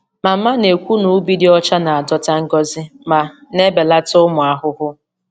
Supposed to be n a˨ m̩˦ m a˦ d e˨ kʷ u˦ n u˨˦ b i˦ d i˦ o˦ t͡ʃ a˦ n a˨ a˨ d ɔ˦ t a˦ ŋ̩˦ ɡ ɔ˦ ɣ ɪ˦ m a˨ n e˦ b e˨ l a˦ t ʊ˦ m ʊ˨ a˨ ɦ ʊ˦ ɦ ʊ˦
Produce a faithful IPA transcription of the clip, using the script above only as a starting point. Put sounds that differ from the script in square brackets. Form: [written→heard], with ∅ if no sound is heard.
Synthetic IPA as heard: [n→m] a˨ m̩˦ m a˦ [d→n] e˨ kʷ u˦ n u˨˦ b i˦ d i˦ [o˦→ɔ˦] t͡ʃ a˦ n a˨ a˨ d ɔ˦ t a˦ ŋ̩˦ ɡ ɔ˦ [ɣ→z] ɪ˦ m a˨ n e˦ b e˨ l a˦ t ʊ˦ m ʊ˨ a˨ ɦ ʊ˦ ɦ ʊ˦